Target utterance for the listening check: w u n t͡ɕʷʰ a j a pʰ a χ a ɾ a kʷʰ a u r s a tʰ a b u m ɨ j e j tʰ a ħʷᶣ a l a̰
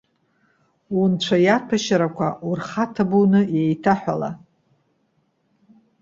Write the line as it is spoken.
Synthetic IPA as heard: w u n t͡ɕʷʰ a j a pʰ a ʃ a ɾ a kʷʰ a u r χ a tʰ a b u n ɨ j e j tʰ a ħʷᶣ a l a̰